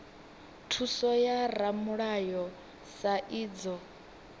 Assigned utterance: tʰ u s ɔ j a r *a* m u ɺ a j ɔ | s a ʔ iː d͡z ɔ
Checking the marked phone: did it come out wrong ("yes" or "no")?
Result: no